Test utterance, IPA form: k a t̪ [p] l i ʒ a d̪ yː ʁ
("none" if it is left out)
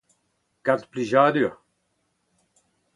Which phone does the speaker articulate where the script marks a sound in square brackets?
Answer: p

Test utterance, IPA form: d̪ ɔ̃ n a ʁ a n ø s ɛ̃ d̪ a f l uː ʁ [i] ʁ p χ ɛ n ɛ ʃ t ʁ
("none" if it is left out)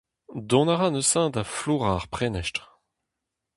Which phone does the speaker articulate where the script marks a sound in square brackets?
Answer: a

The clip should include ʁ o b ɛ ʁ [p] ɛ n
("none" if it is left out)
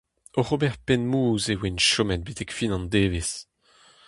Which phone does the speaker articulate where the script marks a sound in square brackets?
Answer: p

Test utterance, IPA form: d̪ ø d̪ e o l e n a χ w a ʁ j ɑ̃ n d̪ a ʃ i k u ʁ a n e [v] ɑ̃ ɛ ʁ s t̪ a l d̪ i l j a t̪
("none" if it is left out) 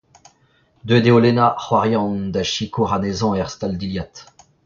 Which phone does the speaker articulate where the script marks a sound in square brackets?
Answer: z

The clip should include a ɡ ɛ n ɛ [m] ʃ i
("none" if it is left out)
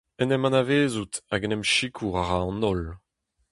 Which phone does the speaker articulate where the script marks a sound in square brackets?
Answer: m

